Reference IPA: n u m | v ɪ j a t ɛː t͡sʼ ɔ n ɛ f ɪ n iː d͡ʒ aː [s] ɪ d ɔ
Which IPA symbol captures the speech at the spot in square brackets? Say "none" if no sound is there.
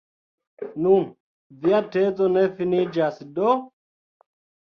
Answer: s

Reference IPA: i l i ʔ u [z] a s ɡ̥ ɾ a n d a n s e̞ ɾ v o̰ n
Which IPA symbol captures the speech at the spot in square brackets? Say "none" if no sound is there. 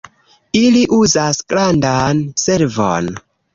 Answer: z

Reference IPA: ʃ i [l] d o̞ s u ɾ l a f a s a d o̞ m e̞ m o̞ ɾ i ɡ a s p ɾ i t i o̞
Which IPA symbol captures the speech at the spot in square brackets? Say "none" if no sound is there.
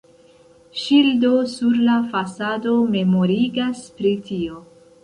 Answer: l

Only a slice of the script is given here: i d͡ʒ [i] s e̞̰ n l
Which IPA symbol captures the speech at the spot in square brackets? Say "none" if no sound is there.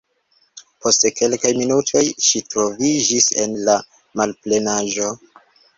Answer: i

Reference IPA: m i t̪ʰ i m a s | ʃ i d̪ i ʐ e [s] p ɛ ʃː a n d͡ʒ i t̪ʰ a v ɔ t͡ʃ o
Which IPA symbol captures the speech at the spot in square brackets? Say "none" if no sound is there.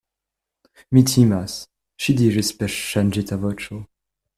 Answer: s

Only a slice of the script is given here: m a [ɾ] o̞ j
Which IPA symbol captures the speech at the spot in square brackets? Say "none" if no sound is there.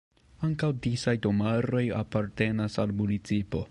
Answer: ɾ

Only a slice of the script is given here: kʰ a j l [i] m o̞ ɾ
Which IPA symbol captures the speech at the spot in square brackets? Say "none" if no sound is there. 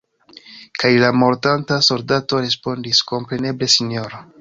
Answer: a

